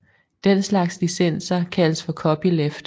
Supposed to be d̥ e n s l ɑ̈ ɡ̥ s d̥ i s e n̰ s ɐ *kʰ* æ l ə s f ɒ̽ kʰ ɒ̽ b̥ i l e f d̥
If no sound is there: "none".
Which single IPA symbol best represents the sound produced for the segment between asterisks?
kʰ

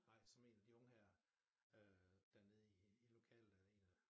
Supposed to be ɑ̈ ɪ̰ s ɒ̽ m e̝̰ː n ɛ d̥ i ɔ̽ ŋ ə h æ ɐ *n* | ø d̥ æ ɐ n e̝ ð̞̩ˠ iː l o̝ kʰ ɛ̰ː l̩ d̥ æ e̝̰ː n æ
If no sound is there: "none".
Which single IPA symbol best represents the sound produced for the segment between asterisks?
none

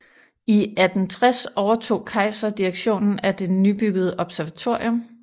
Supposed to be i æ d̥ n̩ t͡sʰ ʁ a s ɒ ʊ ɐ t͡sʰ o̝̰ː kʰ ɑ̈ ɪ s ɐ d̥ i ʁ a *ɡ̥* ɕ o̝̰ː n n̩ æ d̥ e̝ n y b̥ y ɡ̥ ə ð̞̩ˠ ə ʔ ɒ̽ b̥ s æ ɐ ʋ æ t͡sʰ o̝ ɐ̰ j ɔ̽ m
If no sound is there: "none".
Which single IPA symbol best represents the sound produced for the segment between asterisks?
ɡ̥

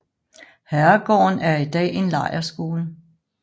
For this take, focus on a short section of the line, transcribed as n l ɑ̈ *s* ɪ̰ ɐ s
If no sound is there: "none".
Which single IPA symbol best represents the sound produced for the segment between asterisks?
none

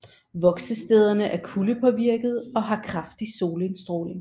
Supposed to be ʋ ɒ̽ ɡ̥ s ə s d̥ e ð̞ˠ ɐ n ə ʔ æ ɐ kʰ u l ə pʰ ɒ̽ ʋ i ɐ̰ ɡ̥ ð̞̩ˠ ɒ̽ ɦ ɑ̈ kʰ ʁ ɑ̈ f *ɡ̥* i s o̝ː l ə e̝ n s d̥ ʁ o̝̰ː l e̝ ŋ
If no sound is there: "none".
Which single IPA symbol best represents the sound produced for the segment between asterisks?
d̥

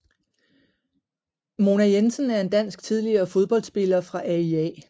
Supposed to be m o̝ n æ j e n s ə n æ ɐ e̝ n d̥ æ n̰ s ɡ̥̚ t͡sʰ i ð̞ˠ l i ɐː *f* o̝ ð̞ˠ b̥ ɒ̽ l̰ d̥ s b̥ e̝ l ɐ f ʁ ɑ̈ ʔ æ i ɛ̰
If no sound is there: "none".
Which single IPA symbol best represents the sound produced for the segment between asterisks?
f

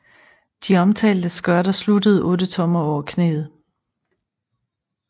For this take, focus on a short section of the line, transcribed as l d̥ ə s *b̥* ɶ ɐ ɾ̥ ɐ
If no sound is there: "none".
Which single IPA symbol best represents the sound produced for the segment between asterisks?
ɡ̥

